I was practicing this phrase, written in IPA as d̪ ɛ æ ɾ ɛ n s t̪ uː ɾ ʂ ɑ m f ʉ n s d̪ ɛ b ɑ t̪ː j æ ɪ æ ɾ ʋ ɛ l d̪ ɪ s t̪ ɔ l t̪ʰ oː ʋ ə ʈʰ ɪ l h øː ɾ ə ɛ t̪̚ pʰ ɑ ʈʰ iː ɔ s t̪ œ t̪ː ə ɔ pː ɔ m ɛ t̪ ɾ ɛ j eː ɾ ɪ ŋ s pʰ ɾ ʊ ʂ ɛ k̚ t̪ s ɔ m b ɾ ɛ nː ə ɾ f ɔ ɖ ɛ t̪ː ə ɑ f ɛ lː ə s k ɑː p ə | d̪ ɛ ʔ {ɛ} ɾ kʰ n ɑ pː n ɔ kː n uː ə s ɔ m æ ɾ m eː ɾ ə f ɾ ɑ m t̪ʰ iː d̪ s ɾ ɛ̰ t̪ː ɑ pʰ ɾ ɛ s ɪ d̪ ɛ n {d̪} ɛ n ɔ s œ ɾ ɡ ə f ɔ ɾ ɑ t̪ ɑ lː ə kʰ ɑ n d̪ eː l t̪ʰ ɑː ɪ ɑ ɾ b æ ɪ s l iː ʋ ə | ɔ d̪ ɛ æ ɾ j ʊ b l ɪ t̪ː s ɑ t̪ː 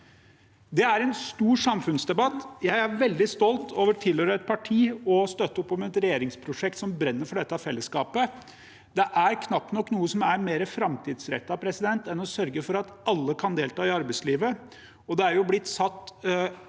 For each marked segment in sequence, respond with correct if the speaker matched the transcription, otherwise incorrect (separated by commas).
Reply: incorrect, incorrect